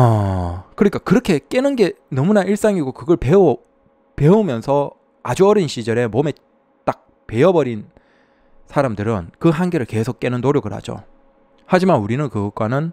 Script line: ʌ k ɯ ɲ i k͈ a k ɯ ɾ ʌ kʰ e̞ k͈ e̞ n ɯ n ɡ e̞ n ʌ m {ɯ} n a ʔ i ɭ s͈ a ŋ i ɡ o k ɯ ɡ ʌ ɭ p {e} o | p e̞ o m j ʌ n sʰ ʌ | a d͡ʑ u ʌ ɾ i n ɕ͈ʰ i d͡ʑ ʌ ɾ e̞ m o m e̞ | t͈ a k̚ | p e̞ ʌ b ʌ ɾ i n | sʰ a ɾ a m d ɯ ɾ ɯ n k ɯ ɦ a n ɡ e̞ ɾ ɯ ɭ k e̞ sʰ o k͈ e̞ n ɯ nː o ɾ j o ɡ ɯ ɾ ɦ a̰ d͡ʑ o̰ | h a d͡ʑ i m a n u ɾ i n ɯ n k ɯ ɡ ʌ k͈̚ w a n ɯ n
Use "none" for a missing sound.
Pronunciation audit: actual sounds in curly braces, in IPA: u, e

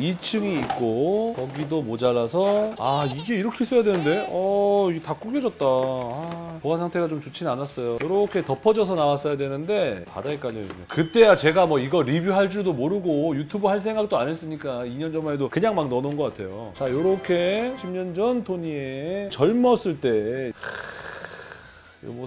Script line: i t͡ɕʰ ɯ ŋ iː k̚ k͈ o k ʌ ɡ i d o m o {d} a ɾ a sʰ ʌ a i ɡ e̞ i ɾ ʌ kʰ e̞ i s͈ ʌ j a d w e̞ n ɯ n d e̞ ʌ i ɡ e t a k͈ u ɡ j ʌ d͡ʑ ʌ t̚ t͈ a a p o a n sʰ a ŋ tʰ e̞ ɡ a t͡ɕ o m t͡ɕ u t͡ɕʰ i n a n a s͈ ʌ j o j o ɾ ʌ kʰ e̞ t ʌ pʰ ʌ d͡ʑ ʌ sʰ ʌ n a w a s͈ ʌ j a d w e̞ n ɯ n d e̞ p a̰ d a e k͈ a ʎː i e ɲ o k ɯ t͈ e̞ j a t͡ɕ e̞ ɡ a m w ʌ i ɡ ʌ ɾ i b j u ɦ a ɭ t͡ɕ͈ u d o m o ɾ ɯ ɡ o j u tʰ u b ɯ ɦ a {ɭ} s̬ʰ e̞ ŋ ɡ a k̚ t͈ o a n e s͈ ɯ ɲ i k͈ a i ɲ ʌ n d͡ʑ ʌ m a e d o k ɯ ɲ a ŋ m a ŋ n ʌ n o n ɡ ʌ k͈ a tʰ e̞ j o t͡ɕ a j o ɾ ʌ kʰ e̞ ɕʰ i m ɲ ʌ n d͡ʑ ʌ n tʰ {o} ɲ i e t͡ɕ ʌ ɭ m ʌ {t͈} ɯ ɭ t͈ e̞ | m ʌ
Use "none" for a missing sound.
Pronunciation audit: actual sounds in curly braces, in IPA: d͡ʑ, ɭ, o, s͈

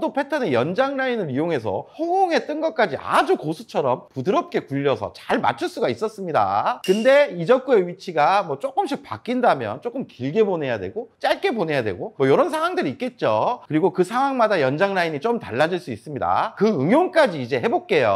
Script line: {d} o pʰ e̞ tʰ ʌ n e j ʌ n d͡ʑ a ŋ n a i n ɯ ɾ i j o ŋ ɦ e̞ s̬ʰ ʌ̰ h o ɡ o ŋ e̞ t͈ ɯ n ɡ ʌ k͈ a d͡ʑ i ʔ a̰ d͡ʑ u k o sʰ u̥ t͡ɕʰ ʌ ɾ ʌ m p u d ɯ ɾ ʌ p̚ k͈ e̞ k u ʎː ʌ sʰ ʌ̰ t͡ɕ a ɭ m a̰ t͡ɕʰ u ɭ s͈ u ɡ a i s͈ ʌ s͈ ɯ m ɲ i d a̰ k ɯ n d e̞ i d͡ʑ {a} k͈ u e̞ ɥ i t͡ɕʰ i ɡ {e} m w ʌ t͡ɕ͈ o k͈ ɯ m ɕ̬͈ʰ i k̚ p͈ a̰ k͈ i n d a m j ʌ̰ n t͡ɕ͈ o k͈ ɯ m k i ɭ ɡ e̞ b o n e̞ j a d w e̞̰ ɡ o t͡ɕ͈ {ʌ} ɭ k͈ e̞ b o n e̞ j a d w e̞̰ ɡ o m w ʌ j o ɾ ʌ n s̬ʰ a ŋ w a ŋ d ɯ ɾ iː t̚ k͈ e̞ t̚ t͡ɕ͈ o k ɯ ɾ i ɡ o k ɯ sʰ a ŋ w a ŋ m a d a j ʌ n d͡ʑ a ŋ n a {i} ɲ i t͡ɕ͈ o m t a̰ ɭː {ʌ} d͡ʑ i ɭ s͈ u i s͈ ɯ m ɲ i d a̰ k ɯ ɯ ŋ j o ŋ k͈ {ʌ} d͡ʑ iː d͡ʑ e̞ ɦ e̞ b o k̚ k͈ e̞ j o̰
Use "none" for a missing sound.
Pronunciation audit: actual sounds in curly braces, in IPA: d, ʌ, a, a, i, a, a

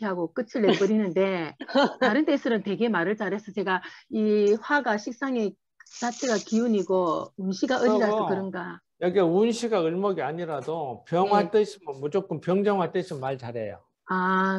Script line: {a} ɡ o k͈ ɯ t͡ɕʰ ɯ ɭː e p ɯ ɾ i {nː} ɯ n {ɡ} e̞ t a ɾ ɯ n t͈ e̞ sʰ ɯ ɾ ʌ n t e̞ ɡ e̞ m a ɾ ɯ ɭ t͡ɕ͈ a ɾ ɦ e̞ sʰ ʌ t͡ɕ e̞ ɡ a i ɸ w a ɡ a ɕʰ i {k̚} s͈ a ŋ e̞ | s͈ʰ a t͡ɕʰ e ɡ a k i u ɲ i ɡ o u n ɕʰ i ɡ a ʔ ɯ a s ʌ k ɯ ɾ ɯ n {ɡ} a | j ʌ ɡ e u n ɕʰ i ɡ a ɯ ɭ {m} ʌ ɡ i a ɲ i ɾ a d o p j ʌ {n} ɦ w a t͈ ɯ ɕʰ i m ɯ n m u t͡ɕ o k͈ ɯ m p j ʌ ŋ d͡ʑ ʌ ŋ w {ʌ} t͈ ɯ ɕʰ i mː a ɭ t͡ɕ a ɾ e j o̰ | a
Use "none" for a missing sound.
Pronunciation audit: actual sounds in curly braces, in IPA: a, n, d, k̚, ɡ, m, ŋ, a

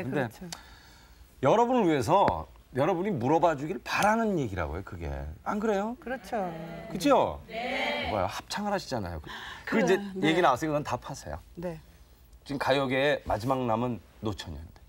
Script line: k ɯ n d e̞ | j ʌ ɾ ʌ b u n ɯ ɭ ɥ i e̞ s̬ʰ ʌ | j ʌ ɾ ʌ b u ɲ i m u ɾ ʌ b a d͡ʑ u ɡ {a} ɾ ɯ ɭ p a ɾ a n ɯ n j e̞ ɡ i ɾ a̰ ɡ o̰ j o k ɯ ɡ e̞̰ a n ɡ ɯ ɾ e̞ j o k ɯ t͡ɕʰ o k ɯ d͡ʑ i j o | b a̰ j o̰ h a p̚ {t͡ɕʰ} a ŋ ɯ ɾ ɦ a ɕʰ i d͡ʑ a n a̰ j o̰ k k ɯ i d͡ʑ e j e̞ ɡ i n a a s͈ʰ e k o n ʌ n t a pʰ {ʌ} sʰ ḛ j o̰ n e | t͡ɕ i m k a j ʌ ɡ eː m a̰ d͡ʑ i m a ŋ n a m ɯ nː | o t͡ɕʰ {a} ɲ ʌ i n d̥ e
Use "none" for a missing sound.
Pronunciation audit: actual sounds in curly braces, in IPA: i, t͡ɕʰ, a, ʌ

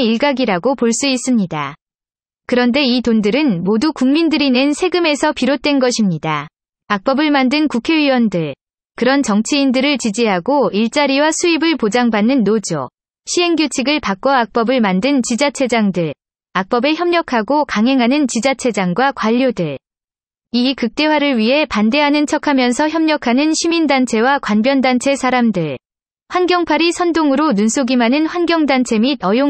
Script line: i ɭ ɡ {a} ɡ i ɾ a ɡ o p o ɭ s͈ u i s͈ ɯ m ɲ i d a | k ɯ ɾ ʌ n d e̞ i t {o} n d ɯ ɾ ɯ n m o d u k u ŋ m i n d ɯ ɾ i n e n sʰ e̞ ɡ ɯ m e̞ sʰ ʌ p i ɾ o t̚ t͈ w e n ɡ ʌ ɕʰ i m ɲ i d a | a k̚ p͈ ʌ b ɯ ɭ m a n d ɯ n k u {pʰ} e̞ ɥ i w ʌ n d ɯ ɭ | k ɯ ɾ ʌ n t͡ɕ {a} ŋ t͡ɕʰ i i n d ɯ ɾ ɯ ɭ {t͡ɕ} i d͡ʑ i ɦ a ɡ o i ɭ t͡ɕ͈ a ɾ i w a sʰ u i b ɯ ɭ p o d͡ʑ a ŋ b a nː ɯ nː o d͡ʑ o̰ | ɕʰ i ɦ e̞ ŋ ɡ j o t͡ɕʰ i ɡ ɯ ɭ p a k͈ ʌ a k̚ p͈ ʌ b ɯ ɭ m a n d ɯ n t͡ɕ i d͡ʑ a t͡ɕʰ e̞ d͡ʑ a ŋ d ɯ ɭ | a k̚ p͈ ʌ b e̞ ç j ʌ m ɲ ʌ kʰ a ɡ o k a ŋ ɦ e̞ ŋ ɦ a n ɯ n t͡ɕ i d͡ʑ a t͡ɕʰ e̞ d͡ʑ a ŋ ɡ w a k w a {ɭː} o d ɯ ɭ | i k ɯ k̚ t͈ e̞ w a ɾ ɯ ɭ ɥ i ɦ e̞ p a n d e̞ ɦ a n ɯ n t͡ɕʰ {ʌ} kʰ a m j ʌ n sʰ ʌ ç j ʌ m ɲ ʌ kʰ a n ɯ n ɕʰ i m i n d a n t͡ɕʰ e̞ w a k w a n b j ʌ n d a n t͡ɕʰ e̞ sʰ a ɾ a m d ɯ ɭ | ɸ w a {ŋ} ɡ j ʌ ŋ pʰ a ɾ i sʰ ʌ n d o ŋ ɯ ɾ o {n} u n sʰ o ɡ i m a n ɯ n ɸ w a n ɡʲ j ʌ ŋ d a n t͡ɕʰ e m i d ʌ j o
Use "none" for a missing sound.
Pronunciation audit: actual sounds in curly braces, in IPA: a, o, kʰ, ʌ, t͡ɕ, ʎː, ʌ, n, n

